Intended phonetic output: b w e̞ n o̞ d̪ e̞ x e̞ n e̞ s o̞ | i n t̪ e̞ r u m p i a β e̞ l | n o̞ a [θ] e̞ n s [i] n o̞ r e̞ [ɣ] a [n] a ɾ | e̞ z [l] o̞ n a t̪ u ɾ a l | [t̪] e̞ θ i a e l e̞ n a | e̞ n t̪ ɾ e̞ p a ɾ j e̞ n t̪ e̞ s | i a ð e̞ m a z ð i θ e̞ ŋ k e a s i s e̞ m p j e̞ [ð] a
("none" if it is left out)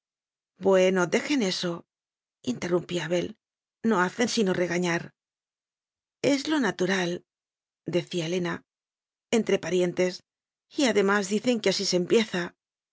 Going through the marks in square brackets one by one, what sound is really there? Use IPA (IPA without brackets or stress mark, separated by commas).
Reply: θ, i, ɣ, ɲ, l, d̪, θ